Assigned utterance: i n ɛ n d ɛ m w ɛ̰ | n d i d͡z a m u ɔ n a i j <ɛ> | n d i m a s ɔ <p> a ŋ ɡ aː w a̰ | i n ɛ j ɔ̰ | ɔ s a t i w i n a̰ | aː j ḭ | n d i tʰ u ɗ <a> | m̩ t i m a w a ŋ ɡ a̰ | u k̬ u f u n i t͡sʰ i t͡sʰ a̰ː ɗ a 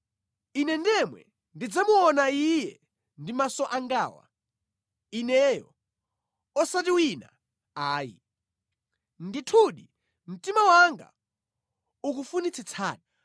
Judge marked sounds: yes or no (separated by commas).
yes, no, no